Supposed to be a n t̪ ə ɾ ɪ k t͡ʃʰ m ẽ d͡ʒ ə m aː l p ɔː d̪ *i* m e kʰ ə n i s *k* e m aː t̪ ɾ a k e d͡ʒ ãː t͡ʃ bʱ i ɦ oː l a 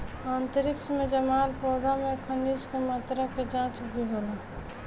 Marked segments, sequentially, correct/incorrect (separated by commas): incorrect, correct